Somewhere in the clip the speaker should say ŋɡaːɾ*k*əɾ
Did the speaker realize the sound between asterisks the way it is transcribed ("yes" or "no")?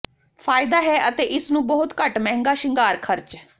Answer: no